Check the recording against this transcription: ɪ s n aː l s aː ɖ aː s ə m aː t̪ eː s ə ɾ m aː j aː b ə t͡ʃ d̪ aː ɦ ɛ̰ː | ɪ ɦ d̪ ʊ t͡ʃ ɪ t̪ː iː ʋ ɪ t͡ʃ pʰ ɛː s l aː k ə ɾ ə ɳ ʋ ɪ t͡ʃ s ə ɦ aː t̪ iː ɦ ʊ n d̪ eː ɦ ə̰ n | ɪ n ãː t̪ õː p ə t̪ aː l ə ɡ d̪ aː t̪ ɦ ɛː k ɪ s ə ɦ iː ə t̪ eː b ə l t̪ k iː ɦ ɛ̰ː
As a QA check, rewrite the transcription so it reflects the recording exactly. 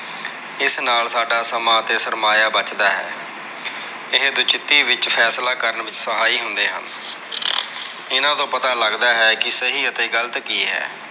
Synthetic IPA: ɪ s n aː l s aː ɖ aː s ə m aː t̪ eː s ə ɾ m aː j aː b ə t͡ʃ d̪ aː ɦ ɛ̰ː | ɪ ɦ d̪ ʊ t͡ʃ ɪ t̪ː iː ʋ ɪ t͡ʃ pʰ ɛː s l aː k ə ɾ ə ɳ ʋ ɪ t͡ʃ s ə ɦ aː iː ɦ ʊ n d̪ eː ɦ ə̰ n | ɪ n ãː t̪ õː p ə t̪ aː l ə ɡ d̪ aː ɦ ɛː k ɪ s ə ɦ iː ə t̪ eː ɡ ə l t̪ k iː ɦ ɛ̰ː